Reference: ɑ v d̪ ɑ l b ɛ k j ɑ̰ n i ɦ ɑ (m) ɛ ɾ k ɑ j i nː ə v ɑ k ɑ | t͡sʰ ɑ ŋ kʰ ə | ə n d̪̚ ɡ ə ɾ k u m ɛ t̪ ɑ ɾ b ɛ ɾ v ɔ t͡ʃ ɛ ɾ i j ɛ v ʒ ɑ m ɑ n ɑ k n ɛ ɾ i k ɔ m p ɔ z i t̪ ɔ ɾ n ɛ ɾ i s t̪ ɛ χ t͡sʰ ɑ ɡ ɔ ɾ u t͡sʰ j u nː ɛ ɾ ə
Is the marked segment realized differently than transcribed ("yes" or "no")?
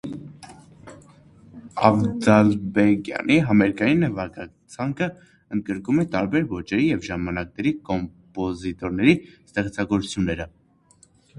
no